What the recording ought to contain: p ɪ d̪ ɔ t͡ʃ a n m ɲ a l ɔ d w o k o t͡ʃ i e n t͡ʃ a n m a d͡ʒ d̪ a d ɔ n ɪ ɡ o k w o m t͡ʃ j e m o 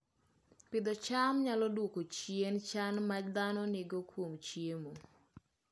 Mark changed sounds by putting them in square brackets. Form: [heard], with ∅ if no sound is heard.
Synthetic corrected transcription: p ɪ d̪ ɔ t͡ʃ a [∅] m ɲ a l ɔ d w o k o t͡ʃ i e n t͡ʃ a n m a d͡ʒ d̪ a [n] ɔ n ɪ ɡ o k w o m t͡ʃ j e m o